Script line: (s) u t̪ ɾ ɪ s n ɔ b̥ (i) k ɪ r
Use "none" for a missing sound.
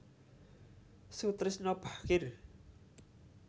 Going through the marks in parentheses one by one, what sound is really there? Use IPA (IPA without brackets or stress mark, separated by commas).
s, a